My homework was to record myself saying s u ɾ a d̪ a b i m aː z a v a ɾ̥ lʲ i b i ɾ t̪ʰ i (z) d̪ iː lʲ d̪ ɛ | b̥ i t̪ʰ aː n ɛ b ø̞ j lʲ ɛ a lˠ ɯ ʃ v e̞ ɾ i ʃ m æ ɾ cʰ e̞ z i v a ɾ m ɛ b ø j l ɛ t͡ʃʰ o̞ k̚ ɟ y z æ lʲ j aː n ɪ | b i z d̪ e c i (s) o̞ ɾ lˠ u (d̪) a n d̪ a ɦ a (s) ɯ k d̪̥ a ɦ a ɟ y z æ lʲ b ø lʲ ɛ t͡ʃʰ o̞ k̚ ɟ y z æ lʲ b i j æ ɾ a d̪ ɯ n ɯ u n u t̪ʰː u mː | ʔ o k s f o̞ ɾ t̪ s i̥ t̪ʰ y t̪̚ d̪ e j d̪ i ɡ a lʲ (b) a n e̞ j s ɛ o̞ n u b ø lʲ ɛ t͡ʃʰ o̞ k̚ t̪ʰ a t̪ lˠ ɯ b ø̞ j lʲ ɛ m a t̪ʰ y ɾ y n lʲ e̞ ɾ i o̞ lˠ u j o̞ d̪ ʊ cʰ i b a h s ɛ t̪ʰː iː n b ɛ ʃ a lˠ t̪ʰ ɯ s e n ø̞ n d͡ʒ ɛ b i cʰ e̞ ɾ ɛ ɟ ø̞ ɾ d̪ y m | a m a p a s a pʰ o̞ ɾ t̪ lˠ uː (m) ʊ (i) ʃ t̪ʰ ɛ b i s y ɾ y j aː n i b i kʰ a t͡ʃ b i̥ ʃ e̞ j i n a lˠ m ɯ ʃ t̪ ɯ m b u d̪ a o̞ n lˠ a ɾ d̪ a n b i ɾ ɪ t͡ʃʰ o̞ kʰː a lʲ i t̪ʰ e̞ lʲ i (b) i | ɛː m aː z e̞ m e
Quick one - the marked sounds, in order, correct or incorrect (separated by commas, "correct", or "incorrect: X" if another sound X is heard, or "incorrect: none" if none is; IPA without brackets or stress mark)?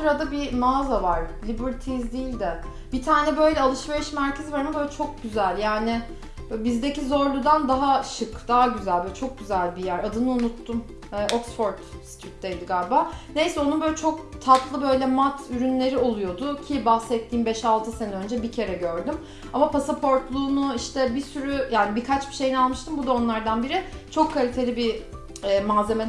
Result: correct, incorrect: z, correct, incorrect: ʃ, correct, incorrect: n, correct, correct